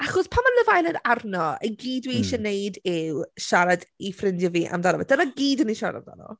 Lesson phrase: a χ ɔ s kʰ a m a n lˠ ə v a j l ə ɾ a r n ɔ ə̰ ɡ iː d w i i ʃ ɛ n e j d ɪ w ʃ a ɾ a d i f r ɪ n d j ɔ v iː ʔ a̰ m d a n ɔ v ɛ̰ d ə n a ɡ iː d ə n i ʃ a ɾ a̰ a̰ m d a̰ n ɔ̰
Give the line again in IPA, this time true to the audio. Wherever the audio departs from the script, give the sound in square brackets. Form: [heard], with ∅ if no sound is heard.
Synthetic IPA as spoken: a χ ɔ s [pʰ] a m a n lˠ ə v a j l ə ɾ a r n ɔ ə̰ ɡ iː d w i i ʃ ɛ n e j d ɪ w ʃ a ɾ a d i f r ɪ n d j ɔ v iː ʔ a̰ m d a n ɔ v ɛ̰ d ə n a ɡ iː d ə n i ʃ a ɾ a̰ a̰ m d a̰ n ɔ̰